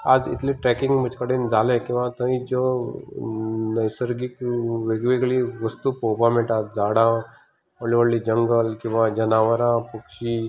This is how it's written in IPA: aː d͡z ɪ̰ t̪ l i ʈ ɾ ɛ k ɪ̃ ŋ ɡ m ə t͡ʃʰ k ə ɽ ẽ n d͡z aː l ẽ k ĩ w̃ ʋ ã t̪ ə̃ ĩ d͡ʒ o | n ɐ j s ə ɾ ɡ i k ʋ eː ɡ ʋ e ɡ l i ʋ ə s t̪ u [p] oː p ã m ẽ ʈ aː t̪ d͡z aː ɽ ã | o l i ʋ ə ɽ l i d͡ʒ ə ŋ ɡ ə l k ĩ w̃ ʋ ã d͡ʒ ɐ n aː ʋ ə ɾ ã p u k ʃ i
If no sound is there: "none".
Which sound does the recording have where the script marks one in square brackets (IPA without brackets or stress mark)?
p